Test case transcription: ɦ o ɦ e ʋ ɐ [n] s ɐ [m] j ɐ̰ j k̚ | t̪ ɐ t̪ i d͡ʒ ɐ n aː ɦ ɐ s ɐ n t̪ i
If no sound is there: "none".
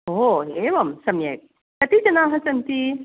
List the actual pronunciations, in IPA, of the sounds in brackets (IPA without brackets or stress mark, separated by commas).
m, m